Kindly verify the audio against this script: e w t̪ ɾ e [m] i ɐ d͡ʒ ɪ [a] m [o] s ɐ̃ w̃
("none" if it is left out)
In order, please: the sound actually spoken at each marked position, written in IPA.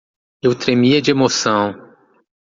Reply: m, e, o

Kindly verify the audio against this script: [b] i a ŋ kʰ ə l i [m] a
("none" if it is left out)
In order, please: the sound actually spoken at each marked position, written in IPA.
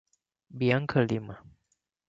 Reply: b, m

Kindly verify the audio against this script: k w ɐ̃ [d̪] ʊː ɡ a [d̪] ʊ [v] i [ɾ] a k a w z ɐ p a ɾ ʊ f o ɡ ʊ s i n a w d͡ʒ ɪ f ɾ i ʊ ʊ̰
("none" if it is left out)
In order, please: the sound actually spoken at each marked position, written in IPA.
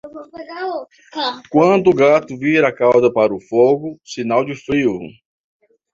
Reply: d̪, t̪, v, ɾ

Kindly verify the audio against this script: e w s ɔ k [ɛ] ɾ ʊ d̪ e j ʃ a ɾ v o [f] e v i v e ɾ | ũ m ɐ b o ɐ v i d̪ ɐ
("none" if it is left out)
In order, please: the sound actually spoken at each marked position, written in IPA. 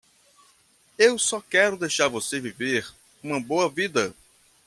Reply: ɛ, s

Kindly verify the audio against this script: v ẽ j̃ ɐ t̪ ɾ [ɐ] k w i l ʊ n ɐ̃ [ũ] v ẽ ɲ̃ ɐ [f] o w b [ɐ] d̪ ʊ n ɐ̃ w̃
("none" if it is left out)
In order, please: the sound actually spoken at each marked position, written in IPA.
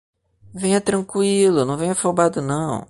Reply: ɐ̃, w̃, f, a

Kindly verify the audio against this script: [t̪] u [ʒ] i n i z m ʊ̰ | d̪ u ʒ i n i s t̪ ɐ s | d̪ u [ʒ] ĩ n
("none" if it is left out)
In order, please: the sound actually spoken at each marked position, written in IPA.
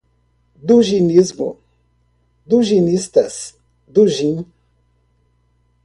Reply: d̪, ʒ, ʒ

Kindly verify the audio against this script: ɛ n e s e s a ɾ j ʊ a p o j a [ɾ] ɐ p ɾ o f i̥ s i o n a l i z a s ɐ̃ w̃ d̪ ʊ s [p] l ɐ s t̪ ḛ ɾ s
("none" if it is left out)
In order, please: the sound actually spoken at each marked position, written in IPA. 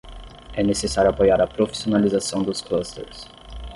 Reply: ɾ, k

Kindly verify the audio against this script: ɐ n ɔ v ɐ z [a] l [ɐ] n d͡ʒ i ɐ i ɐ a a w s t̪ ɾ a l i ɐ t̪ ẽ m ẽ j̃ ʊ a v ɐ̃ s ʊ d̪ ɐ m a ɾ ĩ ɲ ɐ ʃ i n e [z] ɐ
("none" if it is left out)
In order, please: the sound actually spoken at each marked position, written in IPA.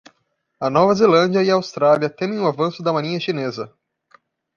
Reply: e, ɐ̃, z

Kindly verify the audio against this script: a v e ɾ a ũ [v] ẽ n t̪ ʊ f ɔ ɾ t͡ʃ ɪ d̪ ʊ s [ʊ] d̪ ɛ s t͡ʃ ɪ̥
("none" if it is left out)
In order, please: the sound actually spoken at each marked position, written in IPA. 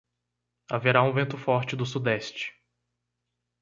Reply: v, u

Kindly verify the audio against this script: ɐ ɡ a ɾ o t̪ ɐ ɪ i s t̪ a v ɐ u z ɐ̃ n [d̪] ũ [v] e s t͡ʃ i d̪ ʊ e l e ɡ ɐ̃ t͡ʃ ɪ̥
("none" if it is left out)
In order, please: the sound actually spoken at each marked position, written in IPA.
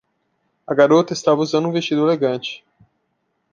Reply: d̪, v

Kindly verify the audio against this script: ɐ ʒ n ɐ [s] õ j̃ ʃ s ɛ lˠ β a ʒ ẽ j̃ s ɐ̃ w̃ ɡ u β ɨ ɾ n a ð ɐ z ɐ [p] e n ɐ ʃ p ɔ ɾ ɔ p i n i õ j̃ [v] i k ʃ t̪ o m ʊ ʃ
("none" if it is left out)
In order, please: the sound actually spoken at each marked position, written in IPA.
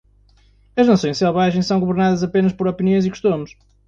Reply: s, p, z

